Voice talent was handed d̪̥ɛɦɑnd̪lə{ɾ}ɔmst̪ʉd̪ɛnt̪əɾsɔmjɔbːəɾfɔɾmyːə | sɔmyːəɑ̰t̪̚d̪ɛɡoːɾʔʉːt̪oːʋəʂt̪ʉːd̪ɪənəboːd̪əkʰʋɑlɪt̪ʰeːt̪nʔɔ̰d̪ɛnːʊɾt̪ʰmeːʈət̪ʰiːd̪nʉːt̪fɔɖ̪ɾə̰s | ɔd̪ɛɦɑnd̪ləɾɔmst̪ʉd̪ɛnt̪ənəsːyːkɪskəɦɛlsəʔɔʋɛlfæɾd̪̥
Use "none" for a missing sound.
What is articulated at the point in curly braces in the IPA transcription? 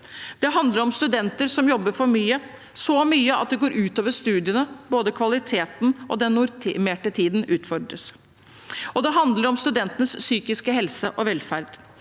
ɾ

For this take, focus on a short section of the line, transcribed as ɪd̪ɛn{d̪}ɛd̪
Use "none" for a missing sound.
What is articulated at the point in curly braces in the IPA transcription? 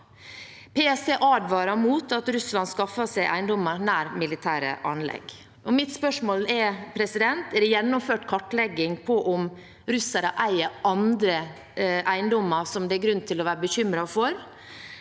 t̪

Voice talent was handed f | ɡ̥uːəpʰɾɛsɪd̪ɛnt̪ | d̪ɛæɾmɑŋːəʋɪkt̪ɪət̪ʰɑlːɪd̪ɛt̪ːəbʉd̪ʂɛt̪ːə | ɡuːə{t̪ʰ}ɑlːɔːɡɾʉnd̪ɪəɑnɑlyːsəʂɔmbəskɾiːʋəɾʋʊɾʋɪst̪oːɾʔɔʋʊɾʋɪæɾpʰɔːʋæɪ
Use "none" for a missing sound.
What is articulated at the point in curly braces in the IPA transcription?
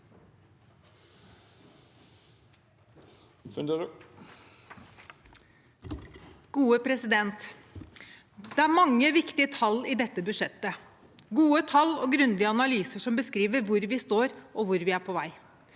t̪ʰ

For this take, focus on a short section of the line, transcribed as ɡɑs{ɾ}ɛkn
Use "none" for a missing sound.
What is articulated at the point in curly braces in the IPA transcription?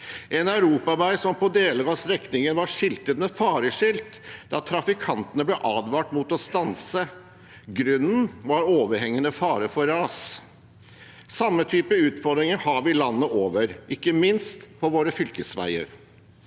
ɾ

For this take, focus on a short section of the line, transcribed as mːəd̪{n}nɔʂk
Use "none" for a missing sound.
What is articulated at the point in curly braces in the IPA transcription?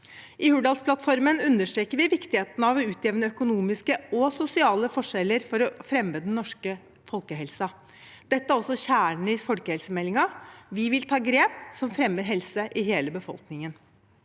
n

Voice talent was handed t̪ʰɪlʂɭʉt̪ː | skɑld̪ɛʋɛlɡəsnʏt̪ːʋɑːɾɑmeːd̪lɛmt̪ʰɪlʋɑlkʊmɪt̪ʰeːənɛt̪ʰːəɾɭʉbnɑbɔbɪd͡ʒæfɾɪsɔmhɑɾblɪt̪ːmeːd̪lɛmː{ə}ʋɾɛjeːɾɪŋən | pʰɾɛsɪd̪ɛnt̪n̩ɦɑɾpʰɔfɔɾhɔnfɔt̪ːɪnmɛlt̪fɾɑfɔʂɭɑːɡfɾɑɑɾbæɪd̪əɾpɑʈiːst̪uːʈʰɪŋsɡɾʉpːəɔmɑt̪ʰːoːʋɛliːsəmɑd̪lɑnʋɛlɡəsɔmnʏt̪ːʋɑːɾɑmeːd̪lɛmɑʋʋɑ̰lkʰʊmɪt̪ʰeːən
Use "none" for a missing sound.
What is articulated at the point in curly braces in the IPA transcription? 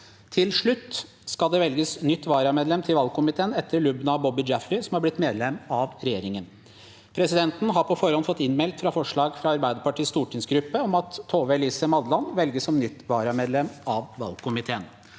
ɑ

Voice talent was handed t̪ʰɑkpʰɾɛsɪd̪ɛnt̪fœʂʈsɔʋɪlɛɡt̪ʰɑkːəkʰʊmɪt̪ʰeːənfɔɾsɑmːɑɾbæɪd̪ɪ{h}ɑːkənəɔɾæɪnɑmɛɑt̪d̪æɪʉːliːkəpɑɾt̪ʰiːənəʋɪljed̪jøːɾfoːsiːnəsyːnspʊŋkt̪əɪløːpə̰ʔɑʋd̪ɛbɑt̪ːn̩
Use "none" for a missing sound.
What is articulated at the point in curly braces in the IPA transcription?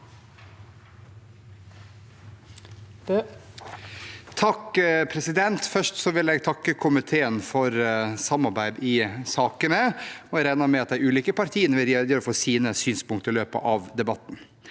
s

